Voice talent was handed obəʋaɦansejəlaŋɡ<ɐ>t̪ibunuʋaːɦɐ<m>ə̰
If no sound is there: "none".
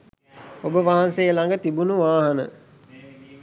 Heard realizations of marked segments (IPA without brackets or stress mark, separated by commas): ə, n